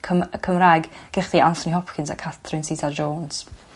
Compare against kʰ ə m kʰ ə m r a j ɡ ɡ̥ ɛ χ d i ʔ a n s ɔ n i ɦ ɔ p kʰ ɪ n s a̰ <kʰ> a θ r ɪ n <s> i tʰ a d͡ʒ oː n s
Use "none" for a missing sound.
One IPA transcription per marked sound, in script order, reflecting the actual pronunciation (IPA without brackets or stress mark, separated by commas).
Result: kʰ, s